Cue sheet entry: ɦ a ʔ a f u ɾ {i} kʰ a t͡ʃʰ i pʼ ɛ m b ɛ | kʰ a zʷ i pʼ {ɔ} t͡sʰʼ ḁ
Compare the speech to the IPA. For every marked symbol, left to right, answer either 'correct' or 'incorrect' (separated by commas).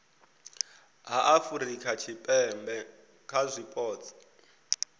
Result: correct, incorrect